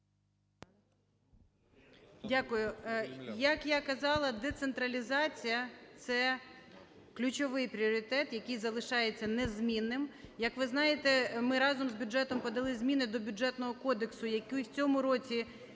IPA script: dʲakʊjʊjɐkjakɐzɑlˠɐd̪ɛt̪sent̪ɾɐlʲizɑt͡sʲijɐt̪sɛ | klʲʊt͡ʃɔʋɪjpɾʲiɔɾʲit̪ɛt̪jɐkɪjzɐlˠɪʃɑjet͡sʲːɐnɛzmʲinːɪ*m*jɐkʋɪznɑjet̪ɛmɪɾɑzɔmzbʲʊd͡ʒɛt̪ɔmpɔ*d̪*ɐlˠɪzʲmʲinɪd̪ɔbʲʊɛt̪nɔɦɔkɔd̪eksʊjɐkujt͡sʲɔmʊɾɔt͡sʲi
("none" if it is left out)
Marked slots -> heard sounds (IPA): m, d̪

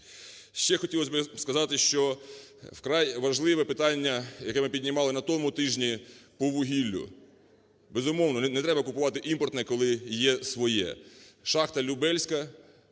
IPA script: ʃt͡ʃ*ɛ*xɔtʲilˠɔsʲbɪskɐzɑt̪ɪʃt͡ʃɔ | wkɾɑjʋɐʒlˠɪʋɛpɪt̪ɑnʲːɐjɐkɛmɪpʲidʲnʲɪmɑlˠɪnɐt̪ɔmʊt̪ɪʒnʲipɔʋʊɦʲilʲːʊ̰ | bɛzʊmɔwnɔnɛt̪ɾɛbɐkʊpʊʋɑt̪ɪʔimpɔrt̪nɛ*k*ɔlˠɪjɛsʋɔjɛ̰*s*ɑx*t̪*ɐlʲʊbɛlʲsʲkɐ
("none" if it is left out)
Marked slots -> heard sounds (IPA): ɛ, k, ʃ, t̪

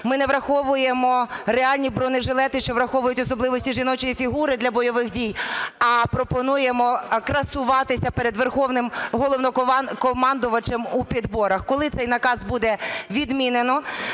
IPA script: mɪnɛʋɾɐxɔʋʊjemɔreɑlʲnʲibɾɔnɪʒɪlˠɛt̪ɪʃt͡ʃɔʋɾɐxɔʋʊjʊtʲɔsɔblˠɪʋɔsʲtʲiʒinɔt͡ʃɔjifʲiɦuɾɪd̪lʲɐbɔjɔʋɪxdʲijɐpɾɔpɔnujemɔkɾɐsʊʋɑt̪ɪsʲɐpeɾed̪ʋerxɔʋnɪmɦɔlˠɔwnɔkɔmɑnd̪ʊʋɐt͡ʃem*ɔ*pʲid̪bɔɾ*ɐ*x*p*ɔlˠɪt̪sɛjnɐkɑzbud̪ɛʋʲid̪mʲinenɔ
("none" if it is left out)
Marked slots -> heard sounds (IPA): u, ɐ, k

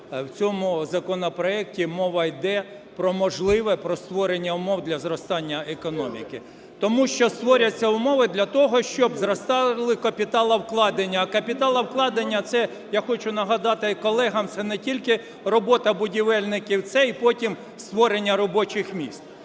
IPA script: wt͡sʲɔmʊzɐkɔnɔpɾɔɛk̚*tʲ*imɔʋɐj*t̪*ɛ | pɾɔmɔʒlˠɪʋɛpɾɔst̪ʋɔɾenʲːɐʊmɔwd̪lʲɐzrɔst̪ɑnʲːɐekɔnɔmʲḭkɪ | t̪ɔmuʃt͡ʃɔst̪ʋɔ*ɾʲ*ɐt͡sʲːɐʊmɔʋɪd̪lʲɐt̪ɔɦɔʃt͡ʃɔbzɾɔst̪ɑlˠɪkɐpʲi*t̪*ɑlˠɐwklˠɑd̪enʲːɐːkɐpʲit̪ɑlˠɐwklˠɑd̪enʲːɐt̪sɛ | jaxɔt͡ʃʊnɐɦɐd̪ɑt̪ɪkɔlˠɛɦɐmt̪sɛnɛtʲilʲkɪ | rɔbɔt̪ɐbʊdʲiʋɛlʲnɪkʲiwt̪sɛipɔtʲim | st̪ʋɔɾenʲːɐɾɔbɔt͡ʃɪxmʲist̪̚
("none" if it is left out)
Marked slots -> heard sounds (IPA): tʲ, d̪, ɾʲ, t̪

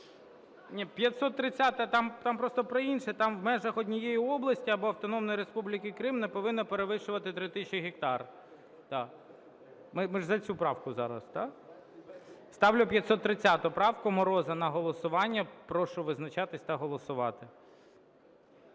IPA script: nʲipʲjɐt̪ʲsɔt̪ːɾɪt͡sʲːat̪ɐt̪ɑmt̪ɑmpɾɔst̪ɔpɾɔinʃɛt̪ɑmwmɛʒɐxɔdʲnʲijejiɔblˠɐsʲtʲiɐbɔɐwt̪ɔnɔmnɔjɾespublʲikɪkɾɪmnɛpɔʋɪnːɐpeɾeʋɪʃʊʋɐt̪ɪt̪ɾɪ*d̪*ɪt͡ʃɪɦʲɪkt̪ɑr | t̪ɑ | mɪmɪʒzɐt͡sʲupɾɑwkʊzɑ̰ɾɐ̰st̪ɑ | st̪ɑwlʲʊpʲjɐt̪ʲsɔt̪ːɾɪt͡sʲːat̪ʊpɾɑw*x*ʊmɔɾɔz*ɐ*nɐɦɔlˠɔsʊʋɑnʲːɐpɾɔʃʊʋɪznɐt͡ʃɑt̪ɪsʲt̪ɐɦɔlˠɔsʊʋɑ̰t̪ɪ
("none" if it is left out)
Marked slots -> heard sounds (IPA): t̪, k, ɐ

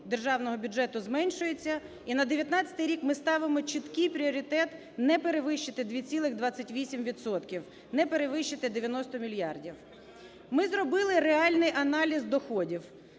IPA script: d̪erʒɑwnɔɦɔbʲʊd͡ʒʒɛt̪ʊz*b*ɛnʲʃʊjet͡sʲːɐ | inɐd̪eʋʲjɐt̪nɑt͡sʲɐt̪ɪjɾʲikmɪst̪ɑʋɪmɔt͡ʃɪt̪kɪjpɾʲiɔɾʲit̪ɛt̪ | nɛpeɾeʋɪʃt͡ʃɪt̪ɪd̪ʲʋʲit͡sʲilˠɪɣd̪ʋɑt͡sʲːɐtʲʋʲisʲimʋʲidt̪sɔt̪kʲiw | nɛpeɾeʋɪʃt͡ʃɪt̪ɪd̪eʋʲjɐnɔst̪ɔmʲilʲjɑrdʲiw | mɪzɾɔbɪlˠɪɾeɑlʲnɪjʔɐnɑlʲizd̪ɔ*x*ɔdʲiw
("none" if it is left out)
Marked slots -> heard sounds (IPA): m, x

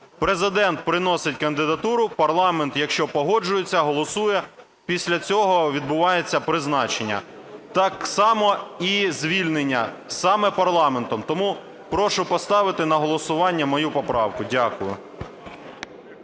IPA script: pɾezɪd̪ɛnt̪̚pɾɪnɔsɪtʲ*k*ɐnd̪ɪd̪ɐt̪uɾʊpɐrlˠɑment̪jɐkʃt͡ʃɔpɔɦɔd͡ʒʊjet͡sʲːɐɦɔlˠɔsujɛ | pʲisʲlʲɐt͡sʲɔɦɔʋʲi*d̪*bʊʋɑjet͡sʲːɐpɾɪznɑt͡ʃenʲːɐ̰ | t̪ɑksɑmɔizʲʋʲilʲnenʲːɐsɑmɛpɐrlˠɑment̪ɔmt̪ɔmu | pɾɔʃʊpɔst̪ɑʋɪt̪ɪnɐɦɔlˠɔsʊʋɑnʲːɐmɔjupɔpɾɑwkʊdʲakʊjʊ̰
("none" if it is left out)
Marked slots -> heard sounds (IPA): k, d̪

